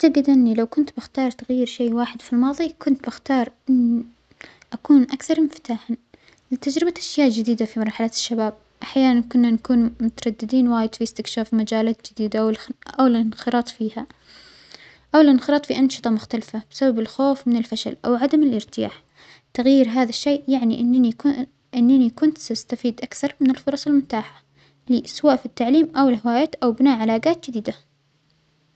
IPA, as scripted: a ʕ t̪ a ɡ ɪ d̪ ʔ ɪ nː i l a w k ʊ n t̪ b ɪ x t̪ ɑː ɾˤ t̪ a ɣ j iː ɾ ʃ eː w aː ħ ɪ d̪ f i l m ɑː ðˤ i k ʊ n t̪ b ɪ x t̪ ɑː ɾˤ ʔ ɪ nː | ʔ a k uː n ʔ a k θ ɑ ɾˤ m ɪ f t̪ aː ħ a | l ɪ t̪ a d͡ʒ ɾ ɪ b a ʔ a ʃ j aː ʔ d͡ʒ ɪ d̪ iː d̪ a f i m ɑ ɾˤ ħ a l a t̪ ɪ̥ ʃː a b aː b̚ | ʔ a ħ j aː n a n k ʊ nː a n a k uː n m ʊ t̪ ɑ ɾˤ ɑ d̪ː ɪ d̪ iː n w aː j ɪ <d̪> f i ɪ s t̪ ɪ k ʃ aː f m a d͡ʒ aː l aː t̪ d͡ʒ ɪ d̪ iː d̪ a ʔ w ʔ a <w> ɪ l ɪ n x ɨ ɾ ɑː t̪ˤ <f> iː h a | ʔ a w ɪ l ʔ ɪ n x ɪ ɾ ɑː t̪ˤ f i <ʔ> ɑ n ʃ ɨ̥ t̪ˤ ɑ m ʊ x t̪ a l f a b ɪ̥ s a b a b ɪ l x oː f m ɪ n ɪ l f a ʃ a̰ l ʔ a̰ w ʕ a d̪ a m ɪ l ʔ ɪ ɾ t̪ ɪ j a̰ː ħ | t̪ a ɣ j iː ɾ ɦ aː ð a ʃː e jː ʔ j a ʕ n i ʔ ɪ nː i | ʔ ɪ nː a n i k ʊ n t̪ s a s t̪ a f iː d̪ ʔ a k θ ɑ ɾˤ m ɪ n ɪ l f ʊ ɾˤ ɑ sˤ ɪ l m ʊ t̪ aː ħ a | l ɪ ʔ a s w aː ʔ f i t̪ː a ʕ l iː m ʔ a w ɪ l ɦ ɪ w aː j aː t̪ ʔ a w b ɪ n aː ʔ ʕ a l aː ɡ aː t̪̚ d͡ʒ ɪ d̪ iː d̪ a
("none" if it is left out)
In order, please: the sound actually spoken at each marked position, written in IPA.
d̪, w, f, ʔ

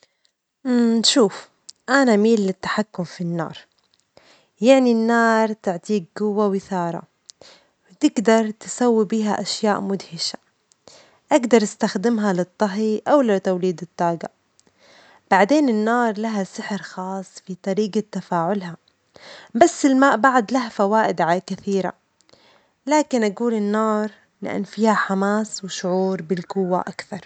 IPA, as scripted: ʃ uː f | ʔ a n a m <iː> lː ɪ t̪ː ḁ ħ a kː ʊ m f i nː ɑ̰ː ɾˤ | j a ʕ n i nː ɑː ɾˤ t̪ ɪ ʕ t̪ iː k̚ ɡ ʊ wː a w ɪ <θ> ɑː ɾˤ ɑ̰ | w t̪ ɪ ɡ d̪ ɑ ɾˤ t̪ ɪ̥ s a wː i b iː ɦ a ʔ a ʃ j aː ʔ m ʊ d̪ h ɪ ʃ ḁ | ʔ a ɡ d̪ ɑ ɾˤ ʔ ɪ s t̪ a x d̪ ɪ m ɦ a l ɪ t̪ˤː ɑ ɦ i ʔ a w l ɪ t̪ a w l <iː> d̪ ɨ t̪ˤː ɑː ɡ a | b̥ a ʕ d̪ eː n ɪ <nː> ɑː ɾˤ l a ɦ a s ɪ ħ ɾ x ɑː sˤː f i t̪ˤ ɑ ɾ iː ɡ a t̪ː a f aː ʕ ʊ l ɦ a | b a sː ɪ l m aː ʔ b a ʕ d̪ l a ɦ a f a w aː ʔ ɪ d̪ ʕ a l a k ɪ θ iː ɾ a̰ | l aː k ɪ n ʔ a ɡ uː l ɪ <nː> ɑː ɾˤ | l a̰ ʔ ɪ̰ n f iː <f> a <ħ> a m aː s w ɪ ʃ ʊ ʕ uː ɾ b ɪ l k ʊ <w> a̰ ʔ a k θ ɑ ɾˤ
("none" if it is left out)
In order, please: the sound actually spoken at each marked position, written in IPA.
iː, θ, iː, nː, nː, h, ħ, wː

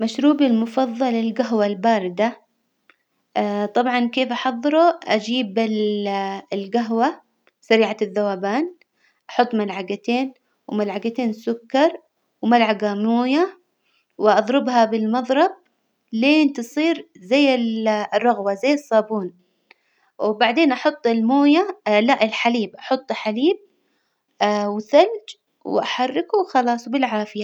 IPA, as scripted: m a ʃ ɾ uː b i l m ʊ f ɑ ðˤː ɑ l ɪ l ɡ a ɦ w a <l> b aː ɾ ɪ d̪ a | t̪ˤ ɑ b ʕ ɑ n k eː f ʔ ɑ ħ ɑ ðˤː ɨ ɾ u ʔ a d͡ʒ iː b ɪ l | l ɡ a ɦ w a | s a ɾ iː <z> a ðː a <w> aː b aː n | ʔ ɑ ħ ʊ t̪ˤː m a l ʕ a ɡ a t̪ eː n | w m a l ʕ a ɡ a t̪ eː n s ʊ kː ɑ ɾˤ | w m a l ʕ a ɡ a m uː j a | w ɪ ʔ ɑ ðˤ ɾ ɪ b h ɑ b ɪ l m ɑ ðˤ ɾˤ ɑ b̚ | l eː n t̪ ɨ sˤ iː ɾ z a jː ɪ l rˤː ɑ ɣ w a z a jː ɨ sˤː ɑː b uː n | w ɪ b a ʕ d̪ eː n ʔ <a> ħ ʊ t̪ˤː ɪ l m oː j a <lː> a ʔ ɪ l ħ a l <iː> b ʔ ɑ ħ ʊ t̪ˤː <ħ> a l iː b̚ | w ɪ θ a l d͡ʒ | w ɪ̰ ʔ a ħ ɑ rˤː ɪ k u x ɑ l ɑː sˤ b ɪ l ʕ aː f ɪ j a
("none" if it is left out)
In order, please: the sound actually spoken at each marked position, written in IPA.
l, ʕ, w, ɑ, l, iː, ħ

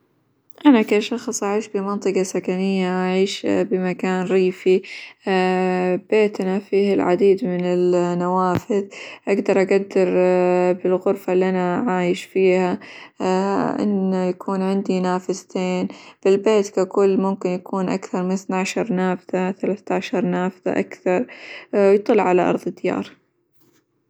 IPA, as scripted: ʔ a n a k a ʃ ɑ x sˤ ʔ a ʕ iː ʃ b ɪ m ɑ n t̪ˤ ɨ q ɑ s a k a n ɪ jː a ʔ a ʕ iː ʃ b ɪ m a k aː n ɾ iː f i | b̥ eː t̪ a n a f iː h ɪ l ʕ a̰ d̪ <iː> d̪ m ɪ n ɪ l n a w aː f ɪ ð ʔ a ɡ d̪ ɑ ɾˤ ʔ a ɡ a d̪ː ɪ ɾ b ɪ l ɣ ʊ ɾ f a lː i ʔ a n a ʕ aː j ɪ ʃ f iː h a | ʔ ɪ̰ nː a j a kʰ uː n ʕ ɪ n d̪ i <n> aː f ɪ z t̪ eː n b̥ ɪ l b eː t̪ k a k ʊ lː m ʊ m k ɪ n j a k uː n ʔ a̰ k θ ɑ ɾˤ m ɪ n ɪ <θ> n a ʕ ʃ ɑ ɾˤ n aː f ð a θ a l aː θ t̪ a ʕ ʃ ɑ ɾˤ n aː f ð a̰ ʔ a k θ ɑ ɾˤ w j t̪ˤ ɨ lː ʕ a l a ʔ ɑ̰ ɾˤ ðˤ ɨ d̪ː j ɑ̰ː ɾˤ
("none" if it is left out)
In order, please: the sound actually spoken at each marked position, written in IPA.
iː, n, θ

